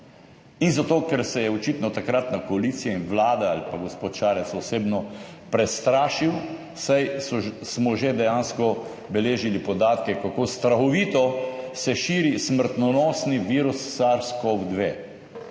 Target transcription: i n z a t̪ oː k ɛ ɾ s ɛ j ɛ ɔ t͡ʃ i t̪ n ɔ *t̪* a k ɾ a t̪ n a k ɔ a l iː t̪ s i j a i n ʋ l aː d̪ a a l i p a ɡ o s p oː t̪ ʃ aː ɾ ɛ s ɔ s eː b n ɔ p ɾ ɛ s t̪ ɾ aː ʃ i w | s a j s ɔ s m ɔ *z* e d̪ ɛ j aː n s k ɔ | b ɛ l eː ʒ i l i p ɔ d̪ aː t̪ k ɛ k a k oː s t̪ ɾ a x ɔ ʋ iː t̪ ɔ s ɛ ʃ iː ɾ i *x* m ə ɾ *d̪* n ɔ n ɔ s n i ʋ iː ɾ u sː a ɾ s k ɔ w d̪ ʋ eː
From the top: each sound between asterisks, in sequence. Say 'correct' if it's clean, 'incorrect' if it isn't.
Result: correct, incorrect: ʒ, incorrect: s, incorrect: t̪

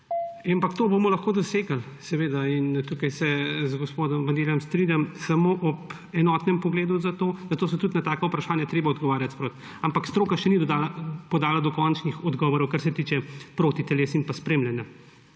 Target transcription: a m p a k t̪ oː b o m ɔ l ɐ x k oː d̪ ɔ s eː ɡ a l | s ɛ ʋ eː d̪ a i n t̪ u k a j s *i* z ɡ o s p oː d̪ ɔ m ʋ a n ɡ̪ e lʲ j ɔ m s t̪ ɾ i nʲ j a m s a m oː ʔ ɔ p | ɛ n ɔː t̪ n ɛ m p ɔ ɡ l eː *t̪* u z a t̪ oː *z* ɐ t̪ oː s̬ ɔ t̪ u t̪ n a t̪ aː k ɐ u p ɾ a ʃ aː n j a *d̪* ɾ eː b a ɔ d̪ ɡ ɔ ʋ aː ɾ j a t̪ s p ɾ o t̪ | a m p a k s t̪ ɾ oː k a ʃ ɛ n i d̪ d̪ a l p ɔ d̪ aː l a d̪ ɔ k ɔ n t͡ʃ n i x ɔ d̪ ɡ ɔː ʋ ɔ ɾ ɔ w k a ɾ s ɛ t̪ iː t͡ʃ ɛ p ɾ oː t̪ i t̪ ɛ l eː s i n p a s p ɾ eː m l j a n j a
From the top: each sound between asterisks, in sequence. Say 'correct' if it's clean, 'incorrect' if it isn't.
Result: incorrect: ɛ, incorrect: d̪, correct, incorrect: t̪

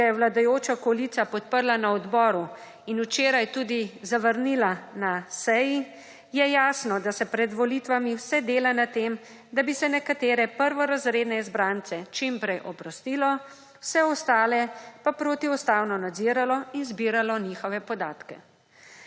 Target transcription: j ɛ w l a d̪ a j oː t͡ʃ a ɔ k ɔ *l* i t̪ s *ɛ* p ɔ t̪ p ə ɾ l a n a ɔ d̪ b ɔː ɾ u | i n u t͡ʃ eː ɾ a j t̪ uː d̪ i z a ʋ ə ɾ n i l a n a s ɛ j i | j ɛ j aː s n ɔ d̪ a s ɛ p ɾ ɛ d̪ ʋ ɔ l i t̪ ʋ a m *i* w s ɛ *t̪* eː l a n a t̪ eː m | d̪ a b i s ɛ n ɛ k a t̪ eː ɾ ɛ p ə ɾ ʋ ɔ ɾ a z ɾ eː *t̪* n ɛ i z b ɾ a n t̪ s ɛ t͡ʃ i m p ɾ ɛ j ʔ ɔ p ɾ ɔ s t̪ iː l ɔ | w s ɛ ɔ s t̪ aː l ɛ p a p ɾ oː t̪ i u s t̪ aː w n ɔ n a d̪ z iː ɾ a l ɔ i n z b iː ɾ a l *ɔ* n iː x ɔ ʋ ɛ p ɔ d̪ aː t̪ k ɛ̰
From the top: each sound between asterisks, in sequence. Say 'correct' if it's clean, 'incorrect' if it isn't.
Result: correct, incorrect: a, correct, incorrect: d̪, incorrect: d̪, correct

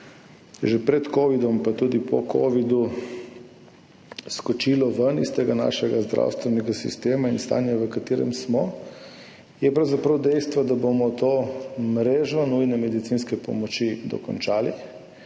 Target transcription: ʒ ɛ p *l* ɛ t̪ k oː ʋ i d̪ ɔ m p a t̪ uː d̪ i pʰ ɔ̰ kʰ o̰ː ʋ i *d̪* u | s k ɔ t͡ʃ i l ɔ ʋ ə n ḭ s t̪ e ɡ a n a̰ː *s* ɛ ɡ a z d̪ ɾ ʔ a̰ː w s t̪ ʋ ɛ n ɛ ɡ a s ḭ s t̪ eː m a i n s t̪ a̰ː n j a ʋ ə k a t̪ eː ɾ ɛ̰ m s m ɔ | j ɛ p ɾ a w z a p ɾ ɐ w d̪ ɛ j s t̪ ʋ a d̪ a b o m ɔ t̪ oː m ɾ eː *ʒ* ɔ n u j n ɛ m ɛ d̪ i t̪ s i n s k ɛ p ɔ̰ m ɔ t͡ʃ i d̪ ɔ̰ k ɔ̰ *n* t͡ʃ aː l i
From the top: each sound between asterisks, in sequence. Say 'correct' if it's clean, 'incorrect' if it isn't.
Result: incorrect: ɾ, correct, incorrect: ʃ, correct, correct

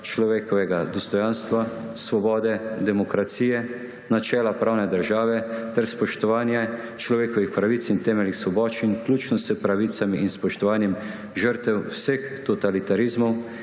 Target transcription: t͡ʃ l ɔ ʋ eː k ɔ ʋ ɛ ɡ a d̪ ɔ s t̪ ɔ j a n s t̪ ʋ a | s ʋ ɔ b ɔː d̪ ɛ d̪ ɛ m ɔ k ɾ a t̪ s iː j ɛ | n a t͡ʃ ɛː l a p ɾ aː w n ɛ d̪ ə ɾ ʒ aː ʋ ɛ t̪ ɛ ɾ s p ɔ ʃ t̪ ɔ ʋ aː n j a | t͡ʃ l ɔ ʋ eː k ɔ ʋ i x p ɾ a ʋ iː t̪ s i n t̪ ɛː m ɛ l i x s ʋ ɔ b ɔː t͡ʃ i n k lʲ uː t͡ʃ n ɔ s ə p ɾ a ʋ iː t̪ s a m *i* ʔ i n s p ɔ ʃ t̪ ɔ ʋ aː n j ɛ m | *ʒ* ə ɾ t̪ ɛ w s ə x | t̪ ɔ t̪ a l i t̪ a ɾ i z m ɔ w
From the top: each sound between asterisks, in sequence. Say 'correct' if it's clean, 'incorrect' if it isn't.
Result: correct, correct

